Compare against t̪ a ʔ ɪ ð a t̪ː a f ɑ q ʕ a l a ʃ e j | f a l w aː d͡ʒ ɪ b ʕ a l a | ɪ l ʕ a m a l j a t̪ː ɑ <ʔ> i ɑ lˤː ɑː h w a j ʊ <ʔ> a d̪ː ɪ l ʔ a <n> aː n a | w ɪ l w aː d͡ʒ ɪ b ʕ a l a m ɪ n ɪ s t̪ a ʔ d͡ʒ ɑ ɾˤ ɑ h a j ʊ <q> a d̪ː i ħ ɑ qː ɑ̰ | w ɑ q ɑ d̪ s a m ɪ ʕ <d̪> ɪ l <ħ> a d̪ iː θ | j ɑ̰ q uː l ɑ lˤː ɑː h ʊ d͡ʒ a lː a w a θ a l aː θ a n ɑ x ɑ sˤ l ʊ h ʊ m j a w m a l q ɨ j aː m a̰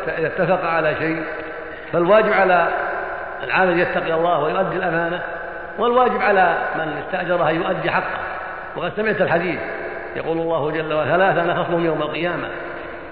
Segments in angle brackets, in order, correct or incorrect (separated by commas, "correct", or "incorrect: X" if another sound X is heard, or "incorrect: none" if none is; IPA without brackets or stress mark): incorrect: q, correct, incorrect: m, incorrect: ʔ, incorrect: t̪, correct